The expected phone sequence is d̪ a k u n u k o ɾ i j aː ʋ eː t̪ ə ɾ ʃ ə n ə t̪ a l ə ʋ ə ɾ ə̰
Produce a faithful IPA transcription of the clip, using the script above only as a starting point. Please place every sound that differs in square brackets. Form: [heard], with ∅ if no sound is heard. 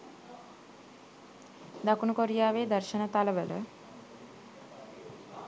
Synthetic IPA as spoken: d̪ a k u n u k o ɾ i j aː ʋ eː [d̪] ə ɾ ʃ ə n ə t̪ a l ə ʋ ə [l] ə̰